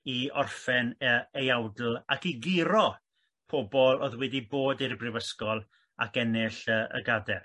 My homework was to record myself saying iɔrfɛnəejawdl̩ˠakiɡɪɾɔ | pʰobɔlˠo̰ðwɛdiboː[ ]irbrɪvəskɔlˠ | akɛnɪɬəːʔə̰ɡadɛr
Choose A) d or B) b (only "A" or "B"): A